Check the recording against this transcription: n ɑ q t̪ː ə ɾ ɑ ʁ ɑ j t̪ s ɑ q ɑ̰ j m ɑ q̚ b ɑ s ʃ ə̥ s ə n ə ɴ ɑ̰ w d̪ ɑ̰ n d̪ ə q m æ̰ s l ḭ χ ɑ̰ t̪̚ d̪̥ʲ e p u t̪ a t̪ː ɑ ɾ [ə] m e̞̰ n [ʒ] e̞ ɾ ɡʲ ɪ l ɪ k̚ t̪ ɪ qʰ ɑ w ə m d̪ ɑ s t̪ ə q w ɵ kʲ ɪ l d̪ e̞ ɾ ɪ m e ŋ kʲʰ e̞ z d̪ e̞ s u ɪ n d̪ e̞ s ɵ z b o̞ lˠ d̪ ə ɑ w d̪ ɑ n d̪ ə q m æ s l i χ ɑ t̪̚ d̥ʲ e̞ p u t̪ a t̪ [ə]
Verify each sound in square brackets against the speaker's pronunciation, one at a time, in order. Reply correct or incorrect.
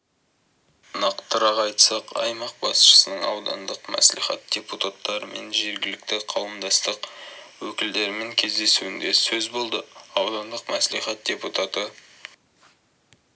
correct, correct, correct

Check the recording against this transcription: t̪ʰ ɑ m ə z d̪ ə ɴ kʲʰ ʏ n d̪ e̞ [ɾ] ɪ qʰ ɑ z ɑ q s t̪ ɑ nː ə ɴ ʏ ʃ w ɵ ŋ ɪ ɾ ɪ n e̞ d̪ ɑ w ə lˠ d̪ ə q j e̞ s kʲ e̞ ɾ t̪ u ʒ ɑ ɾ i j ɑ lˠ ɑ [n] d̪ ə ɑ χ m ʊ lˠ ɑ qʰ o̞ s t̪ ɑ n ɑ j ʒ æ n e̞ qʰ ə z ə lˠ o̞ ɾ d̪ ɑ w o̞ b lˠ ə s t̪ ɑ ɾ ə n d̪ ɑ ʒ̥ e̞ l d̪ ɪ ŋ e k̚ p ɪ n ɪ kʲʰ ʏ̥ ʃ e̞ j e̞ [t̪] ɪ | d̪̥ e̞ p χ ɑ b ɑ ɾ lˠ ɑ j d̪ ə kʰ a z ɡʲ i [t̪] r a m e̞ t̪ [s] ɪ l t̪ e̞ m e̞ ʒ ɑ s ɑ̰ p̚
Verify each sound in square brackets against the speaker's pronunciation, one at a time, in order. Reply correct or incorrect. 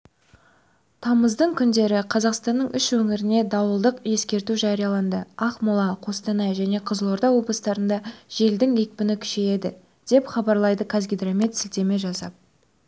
correct, correct, incorrect: d̪, incorrect: d̪, correct

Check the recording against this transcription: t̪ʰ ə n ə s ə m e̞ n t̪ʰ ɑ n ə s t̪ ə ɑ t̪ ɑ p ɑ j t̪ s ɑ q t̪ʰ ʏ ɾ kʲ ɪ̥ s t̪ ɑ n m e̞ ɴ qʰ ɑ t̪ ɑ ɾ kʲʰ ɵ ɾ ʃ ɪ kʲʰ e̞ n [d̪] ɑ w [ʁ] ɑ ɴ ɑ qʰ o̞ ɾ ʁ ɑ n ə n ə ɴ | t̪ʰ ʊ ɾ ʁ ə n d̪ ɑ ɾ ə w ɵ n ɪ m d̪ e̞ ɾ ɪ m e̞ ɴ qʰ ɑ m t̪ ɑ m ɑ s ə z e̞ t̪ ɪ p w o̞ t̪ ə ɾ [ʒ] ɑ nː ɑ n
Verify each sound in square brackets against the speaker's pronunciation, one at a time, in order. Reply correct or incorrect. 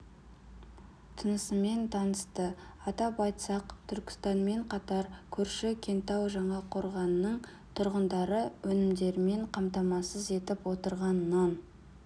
incorrect: t̪, incorrect: ʒ, incorrect: ʁ

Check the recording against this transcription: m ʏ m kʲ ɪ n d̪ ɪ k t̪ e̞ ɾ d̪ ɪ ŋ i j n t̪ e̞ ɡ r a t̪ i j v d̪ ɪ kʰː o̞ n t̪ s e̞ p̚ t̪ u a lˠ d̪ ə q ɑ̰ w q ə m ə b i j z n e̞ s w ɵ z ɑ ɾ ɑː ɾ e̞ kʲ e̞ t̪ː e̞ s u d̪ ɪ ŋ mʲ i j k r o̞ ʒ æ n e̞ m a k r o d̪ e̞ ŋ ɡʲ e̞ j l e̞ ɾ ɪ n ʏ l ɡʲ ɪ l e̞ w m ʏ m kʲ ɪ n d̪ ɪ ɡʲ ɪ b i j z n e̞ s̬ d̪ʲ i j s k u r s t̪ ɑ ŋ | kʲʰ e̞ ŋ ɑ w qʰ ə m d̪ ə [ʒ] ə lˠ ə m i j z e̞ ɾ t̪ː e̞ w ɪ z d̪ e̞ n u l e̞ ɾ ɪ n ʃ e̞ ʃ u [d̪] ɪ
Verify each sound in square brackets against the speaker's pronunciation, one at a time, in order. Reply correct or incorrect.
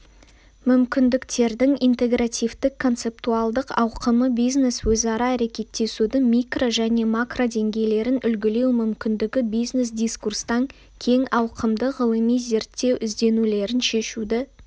incorrect: ʁ, correct

